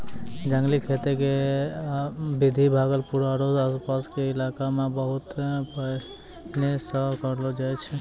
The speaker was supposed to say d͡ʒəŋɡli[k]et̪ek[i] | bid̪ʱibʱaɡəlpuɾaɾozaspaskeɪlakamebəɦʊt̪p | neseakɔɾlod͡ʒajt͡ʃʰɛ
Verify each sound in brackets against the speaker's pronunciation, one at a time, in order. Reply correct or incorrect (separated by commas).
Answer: incorrect, incorrect